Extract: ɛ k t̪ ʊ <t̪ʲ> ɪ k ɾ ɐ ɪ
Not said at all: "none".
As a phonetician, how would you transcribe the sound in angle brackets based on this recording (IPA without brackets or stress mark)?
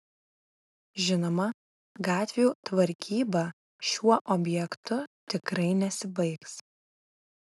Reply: t̪ʲ